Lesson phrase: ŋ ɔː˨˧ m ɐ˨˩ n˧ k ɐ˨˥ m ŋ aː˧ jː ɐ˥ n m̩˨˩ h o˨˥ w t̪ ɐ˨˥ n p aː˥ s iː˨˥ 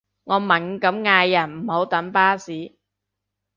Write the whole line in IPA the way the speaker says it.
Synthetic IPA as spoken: ŋ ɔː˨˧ m ɐ˨˩ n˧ k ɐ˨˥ m ŋ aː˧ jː ɐ˨˩ n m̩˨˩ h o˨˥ w t̪ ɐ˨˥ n p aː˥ s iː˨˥